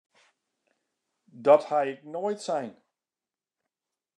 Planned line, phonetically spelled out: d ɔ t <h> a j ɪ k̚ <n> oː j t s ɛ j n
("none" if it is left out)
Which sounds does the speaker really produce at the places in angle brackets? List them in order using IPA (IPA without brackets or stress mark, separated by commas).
h, n